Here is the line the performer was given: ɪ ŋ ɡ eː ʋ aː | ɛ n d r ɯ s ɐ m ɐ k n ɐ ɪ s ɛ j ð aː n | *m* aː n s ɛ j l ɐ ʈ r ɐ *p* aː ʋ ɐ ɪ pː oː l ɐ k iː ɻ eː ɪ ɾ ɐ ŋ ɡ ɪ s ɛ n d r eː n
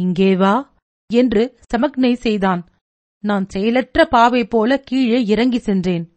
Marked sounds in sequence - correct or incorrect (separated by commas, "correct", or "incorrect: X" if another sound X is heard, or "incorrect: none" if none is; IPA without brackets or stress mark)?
incorrect: n, correct